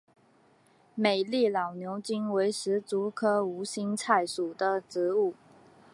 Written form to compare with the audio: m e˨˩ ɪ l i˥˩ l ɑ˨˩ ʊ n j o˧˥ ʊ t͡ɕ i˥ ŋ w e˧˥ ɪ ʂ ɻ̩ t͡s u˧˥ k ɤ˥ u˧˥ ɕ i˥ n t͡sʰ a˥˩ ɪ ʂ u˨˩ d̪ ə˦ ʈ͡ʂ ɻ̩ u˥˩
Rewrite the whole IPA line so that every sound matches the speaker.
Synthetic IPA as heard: m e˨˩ ɪ l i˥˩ l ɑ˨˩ ʊ n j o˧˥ ʊ t͡ɕ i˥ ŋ w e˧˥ ɪ ʂ ɻ̩ t͡s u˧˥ kʰ ɤ˥ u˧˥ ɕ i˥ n t͡sʰ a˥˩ ɪ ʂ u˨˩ d̪ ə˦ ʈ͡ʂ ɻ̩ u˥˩